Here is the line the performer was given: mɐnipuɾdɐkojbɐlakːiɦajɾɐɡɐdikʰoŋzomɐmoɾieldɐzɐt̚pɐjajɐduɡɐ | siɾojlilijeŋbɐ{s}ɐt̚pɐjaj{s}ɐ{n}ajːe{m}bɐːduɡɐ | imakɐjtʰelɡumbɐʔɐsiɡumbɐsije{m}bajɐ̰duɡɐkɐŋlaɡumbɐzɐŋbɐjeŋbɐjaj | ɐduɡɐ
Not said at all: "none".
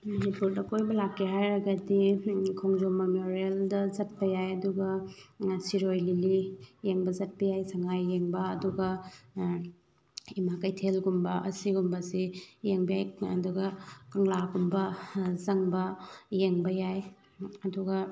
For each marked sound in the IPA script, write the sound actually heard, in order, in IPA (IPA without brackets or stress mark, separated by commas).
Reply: z, s, ŋ, ŋ, ŋ